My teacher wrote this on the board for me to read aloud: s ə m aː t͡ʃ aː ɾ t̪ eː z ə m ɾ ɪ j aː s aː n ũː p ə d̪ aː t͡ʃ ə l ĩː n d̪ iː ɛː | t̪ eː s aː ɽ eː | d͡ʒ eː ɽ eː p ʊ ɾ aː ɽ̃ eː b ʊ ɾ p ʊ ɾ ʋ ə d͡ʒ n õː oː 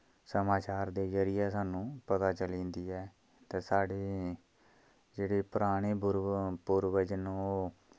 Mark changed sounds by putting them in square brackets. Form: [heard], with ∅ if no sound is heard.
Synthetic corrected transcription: s ə m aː t͡ʃ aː ɾ [d̪] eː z ə [∅] ɾ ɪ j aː s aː n ũː p ə [t̪] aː t͡ʃ ə l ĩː n d̪ iː ɛː | t̪ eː s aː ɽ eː | d͡ʒ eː ɽ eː p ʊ ɾ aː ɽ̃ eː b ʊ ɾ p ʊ ɾ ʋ ə d͡ʒ n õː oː